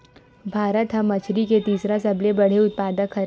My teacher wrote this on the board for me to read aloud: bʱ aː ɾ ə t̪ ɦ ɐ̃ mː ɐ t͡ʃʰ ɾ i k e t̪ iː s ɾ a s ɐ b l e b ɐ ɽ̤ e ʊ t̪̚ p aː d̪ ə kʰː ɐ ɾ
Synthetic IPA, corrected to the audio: bʱ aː ɾ ə t̪ ɦ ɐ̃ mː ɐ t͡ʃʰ ɾ i k e t̪ iː s ɾ a s ɐ b l e b ɐ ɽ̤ e ʊ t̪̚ p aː d̪ ə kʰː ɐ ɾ